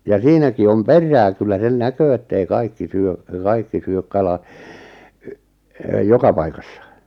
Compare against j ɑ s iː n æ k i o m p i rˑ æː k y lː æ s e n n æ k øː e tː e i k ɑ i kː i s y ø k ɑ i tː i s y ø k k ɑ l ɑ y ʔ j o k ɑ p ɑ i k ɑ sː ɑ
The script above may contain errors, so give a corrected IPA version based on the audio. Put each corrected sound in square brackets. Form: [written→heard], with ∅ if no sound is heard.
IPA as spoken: j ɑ s iː n æ k i o m p [i→e] rˑ æː k y lː æ s e n n æ k øː e tː e i k ɑ i kː i s y ø k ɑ i [tː→kː] i s y ø k k ɑ l ɑ y ʔ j o k ɑ p ɑ i k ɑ sː ɑ